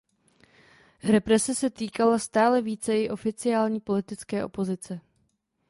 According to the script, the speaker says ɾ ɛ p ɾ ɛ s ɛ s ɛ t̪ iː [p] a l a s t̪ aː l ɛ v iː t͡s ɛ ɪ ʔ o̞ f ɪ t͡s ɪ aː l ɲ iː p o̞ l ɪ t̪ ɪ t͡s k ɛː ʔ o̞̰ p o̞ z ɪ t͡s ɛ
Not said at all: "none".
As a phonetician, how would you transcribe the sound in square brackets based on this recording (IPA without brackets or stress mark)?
k